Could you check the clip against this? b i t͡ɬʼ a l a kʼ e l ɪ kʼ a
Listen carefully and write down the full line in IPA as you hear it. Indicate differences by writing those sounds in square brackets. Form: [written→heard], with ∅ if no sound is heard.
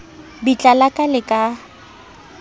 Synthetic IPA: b i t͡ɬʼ a l a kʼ [e→a] l ɪ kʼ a